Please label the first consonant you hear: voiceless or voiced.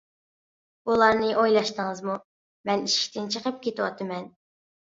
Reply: voiced